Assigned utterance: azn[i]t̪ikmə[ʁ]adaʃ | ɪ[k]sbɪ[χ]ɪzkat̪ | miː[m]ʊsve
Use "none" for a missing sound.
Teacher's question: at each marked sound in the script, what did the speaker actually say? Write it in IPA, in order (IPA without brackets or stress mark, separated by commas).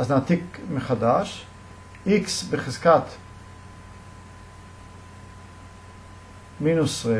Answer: a, χ, k, χ, n